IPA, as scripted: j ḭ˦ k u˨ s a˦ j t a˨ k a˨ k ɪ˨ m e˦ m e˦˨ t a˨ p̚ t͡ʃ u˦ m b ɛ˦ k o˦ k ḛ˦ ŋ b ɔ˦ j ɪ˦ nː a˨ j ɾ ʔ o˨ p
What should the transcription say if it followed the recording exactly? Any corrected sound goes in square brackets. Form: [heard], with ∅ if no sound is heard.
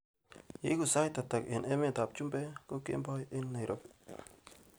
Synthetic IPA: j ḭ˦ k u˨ s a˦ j t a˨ [t] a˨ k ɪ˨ [n] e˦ m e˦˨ t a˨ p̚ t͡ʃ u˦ m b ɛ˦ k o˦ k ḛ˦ [m] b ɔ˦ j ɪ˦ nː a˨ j ɾ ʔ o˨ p